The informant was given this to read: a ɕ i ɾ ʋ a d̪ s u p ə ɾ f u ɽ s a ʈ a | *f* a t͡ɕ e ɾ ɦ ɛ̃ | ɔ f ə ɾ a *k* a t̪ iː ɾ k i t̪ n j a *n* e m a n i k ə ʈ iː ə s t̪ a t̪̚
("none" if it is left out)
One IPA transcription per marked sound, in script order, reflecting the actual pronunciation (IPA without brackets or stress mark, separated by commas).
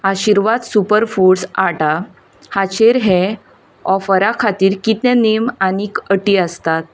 h, kʰ, n